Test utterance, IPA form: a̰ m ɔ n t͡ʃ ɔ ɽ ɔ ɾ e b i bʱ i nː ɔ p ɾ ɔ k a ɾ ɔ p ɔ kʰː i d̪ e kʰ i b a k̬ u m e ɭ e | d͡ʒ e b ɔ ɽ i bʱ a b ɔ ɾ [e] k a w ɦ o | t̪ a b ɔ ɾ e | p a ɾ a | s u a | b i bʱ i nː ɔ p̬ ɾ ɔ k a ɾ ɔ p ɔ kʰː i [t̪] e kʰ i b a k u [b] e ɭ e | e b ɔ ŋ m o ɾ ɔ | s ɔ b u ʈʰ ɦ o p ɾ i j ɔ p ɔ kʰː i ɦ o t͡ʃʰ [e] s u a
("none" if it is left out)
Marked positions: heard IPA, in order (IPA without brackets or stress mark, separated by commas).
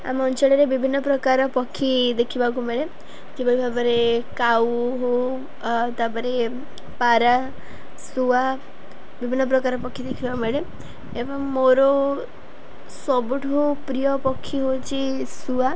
e, d̪, m, i